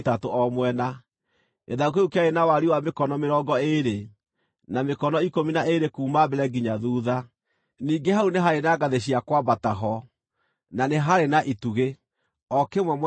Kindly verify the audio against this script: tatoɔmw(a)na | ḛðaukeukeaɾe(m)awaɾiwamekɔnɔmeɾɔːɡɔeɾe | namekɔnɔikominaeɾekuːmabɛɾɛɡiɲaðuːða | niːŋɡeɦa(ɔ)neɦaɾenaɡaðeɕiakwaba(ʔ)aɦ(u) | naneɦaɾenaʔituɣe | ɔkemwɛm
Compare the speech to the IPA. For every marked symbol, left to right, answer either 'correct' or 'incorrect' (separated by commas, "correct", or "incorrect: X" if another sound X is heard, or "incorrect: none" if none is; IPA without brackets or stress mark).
incorrect: ɛ, incorrect: n, incorrect: u, incorrect: t, incorrect: ɔ